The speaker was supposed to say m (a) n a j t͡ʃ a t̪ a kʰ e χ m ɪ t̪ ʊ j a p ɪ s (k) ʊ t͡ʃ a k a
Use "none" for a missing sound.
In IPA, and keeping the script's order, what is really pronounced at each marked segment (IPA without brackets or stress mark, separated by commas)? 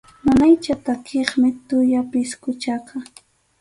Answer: a, k